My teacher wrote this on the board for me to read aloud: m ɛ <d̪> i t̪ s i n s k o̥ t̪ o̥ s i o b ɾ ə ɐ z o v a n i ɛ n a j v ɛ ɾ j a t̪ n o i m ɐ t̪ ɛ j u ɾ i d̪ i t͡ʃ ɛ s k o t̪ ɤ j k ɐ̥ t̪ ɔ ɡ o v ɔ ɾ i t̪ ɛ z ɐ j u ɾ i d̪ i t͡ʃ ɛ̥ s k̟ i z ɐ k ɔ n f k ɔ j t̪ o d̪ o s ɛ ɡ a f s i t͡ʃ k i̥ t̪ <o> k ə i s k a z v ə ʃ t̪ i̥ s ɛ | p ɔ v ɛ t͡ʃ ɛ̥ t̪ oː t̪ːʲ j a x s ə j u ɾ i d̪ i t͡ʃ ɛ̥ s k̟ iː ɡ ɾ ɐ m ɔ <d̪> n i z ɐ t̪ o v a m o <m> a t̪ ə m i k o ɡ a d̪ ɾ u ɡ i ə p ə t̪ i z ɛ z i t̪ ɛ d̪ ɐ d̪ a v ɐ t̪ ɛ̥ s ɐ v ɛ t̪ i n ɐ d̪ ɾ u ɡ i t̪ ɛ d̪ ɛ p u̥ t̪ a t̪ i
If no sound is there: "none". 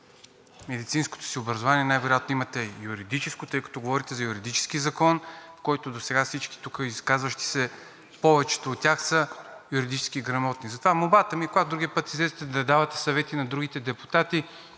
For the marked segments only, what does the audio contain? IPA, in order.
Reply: d̪, u, t̪, b

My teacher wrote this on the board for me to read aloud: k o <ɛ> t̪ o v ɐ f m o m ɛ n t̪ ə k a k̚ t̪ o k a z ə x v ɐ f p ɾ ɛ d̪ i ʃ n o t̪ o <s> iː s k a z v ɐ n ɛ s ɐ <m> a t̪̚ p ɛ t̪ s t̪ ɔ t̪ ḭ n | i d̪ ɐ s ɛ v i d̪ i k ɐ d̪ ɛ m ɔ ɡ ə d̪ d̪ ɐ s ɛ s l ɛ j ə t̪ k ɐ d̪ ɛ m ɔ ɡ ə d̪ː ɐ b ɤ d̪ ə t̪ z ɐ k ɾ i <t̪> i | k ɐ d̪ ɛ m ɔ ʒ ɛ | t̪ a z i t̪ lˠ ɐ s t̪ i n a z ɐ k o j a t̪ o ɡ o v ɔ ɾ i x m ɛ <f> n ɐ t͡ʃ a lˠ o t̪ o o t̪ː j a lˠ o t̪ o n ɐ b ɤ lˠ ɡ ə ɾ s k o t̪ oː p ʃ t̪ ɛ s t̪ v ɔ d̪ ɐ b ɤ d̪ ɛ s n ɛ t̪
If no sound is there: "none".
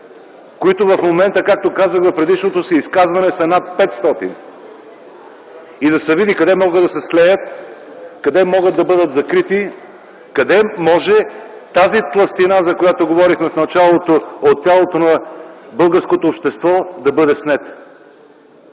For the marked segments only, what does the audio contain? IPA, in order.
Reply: i, s, n, t̪, f

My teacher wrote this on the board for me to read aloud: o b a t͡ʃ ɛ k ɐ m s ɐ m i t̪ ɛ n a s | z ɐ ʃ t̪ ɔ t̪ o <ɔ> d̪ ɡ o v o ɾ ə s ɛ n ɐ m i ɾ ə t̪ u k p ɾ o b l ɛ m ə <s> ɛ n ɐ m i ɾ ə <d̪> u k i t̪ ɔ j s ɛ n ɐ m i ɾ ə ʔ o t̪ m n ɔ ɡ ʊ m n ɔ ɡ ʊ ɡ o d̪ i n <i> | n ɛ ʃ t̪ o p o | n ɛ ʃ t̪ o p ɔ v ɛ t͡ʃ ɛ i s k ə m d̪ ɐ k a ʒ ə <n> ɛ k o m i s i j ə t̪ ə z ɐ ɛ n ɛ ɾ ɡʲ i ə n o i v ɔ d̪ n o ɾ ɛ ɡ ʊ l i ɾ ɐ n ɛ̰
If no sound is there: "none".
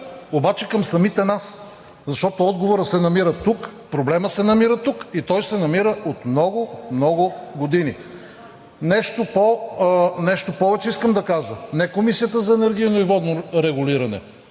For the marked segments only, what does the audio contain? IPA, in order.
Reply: ɔ, s, t̪, i, n

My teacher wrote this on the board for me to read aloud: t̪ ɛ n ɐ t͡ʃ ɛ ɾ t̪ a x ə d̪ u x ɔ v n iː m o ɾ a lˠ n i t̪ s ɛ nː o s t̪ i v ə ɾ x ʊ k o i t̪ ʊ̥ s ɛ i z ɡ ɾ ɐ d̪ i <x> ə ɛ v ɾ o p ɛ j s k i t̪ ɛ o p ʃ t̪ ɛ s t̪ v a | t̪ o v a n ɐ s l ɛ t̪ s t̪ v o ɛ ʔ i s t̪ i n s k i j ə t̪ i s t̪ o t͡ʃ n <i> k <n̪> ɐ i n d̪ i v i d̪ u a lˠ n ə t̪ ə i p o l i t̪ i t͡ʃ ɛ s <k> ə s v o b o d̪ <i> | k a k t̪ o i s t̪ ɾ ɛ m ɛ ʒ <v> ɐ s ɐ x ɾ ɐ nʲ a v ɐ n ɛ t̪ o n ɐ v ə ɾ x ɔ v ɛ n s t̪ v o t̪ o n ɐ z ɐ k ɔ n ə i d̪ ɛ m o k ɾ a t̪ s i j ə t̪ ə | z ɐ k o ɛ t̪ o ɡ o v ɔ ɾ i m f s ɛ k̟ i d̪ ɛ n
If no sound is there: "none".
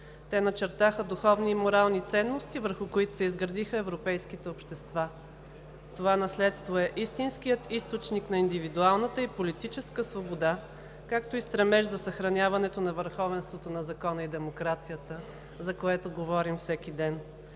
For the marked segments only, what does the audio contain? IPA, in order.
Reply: x, i, n̪, k, a, z

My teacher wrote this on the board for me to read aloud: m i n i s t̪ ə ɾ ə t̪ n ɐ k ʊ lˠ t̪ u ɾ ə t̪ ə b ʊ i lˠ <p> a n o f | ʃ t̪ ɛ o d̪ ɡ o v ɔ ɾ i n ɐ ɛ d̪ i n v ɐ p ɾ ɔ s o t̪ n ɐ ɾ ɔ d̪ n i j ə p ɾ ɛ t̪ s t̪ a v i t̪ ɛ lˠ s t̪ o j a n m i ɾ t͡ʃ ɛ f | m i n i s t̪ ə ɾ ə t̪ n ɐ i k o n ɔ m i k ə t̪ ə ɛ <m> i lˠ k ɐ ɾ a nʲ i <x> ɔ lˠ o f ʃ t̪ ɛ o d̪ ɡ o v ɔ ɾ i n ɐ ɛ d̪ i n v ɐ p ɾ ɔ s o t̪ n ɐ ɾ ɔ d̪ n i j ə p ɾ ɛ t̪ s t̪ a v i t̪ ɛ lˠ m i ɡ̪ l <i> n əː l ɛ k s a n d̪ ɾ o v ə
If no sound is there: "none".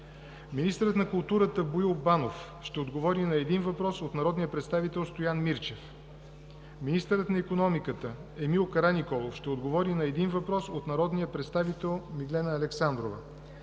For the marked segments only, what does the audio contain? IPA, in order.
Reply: b, m, k, ɛ

